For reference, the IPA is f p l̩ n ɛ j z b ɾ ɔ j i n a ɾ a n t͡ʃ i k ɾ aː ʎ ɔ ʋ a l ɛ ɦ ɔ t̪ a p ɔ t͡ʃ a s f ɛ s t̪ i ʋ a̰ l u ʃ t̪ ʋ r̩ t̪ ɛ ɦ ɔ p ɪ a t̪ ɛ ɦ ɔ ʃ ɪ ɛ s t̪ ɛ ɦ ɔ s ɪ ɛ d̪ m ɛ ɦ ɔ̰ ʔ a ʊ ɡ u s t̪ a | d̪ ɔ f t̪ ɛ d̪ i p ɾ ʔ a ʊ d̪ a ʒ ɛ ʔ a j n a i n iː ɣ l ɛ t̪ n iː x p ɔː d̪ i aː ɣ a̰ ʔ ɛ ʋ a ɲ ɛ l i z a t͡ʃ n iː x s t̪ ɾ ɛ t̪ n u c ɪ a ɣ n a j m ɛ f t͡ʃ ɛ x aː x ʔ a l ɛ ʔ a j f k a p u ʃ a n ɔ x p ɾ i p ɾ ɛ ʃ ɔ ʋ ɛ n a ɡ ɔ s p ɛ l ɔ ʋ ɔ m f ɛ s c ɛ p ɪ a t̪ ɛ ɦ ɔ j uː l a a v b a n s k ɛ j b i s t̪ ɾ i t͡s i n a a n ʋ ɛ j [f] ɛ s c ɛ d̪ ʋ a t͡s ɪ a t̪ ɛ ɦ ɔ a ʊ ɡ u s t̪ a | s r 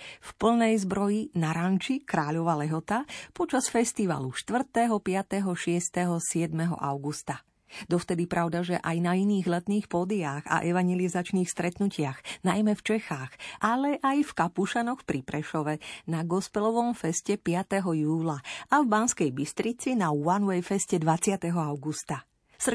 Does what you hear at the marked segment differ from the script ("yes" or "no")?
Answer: no